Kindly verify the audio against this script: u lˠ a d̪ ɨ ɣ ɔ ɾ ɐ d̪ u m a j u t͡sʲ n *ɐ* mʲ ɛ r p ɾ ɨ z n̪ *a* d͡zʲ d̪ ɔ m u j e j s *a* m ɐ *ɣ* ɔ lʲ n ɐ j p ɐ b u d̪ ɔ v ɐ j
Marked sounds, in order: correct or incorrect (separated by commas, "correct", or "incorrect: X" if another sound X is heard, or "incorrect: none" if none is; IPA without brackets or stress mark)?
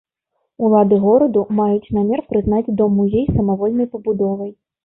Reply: incorrect: a, correct, incorrect: ɐ, incorrect: v